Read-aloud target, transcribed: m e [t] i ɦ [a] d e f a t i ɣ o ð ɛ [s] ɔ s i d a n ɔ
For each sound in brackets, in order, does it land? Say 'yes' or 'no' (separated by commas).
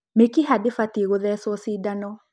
no, yes, yes